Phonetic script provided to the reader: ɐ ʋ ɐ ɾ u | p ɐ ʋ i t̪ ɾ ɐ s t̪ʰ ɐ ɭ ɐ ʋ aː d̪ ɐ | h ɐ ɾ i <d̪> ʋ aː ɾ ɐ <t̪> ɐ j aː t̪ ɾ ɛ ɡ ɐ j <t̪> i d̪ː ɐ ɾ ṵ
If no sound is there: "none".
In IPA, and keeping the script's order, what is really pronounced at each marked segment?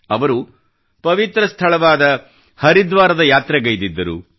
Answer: d̪, d̪, d̪

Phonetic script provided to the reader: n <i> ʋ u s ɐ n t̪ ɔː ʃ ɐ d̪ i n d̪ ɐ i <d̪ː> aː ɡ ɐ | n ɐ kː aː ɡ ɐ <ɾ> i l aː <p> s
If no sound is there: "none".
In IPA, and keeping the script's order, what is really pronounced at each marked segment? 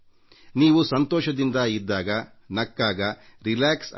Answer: iː, d̪ː, ɾ, k

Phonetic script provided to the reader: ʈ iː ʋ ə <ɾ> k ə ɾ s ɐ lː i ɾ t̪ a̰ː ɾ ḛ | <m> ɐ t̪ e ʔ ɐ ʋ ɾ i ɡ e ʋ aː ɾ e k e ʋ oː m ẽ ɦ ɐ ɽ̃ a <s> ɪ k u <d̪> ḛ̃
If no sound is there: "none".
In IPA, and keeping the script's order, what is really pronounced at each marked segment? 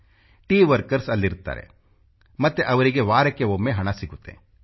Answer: ɾ, m, s, t̪

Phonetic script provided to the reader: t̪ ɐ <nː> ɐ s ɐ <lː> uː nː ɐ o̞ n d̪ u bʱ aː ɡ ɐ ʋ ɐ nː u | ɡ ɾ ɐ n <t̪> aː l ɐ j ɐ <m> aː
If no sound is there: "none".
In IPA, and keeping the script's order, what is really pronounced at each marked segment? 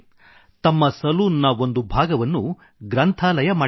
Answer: mː, l, t̪ʰ, m

